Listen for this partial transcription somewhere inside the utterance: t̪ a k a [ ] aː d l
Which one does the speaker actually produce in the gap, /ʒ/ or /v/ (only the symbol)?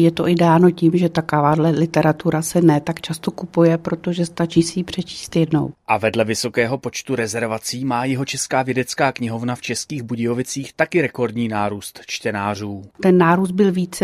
v